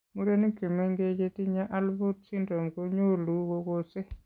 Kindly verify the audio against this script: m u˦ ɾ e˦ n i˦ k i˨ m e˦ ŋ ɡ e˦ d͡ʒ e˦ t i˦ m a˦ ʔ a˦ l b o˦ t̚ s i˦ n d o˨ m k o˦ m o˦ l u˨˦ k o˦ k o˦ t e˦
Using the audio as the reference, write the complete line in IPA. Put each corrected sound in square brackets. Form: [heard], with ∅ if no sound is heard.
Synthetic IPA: m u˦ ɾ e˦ n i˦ k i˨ m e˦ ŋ ɡ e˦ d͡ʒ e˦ t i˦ [ɲ] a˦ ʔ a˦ l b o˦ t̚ s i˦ n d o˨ m k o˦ [ɲ] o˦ l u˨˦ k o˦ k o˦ [s] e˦